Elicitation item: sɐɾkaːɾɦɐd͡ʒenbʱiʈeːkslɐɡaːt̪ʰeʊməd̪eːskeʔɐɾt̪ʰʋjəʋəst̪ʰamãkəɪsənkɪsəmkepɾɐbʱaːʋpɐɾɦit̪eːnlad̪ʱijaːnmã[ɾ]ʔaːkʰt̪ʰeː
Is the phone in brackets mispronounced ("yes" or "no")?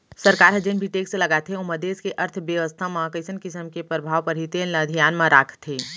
no